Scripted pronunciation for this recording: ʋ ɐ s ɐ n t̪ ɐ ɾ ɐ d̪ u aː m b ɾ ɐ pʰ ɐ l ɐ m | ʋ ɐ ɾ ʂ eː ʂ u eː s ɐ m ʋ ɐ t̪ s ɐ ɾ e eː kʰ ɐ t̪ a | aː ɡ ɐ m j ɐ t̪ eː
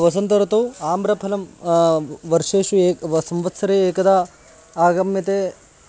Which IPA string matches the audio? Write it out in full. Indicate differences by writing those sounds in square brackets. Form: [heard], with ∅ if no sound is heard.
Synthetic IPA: ʋ ɐ s ɐ n t̪ ɐ ɾ ɐ [t̪] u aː m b ɾ ɐ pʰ ɐ l ɐ m | ʋ ɐ ɾ ʂ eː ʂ u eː s ɐ m ʋ ɐ t̪ s ɐ ɾ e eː [k] ɐ [d̪] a | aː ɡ ɐ m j ɐ t̪ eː